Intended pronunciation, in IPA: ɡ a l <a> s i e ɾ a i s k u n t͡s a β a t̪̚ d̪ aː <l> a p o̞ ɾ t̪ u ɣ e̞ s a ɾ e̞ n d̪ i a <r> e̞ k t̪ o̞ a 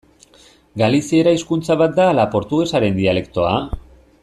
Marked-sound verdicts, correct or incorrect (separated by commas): incorrect, correct, incorrect